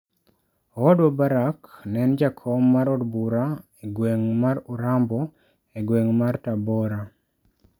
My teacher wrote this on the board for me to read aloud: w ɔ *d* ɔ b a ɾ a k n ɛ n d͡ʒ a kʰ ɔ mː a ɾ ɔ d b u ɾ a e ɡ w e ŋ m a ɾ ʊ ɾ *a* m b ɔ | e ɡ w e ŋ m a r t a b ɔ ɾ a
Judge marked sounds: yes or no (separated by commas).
yes, yes